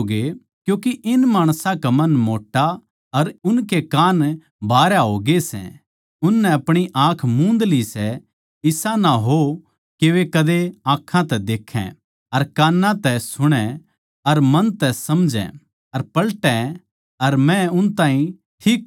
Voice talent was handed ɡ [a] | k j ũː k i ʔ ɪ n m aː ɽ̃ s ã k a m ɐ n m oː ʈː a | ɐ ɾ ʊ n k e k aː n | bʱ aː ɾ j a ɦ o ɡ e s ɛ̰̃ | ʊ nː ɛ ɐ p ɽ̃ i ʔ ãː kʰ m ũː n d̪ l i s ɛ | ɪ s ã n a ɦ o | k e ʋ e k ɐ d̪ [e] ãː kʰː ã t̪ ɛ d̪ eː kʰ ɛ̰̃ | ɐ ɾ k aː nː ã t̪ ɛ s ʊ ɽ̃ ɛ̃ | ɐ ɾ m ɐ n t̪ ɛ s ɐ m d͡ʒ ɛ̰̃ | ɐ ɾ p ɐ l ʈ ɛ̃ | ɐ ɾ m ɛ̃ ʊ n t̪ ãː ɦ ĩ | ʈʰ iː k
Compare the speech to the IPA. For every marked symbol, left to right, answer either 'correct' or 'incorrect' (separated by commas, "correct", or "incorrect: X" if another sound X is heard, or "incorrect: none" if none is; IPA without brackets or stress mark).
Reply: incorrect: e, correct